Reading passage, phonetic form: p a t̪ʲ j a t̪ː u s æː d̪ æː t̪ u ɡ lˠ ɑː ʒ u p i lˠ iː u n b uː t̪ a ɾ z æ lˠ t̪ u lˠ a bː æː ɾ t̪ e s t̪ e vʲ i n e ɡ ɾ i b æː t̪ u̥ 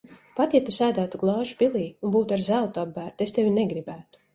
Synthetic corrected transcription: p a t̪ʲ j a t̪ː u s æː d̪ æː t̪ u ɡ lˠ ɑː ʒ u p i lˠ iː u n b uː t̪ a ɾ z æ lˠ t̪ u a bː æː ɾ t̪ e s t̪ e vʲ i n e ɡ ɾ i b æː t̪ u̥